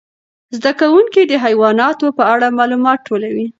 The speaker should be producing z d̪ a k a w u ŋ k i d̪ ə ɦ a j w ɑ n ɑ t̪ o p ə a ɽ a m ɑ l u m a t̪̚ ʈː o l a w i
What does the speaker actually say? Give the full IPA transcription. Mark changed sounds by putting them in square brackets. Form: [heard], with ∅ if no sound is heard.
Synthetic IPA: z d̪ a k a w u ŋ k i d̪ ə ɦ a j w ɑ n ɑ t̪ o p ə a ɽ a m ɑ l u m [ɑ] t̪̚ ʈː o l a w i